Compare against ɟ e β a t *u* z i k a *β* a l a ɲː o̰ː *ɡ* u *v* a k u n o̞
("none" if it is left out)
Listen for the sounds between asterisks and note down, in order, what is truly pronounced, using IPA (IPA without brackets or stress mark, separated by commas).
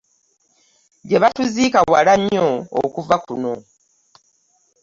u, w, k, v